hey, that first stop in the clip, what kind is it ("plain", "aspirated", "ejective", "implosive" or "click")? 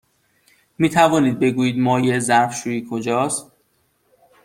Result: aspirated